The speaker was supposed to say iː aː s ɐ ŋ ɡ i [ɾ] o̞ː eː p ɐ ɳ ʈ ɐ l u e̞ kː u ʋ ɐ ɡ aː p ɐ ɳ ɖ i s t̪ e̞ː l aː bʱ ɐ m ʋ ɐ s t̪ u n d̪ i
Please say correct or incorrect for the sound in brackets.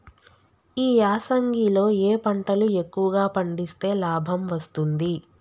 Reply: incorrect